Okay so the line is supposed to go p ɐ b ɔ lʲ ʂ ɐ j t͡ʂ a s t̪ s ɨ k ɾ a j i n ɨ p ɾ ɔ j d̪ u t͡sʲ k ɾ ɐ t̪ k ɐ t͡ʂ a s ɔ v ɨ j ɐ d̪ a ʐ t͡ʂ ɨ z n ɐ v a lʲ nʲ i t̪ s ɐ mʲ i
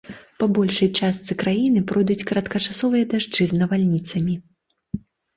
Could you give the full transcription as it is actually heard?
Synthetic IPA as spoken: p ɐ b ɔ lʲ ʂ ɐ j t͡ʂ a s t̪ s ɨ k ɾ a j i n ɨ p ɾ ɔ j d̪ u t͡sʲ k ɾ ɐ t̪ k ɐ t͡ʂ a s ɔ v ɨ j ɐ d̪ a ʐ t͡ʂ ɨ z n ɐ v a lʲ nʲ i t̪ s ɐ mʲ i